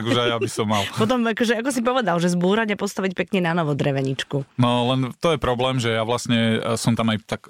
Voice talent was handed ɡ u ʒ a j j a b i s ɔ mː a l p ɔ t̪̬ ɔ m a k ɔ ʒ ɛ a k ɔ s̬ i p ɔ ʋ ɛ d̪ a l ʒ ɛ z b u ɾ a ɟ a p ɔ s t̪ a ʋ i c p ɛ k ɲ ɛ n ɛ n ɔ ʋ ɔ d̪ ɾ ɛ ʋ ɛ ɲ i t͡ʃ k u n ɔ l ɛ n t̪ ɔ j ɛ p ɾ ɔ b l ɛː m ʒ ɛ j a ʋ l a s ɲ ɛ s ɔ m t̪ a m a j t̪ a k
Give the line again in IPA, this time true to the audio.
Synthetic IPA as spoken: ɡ u ʒ a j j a b i s ɔ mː a l p ɔ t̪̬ ɔ m a k ɔ ʒ ɛ a k ɔ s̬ i p ɔ ʋ ɛ d̪ a l ʒ ɛ z b uː ɾ a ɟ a p ɔ s t̪ a ʋ i c p ɛ k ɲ ɛ n a n ɔ ʋ ɔ d̪ ɾ ɛ ʋ ɛ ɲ i t͡ʃ k u n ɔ l ɛ n t̪ ɔ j ɛ p ɾ ɔ b l ɛː m ʒ ɛ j a ʋ l a s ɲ ɛ s ɔ m t̪ a m a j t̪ a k